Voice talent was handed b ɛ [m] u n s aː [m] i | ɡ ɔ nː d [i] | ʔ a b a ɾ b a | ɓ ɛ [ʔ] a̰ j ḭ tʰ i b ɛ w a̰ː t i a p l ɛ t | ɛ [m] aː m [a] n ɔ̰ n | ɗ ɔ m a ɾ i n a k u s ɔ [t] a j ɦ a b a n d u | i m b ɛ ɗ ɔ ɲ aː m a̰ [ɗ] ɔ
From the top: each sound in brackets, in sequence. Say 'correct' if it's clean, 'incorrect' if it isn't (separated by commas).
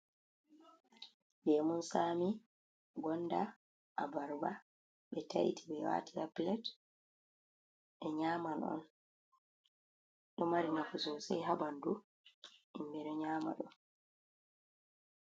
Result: correct, correct, incorrect, incorrect, incorrect, correct, incorrect, correct